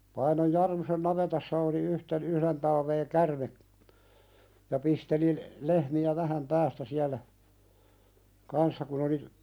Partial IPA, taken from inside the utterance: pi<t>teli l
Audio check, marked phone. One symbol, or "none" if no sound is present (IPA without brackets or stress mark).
s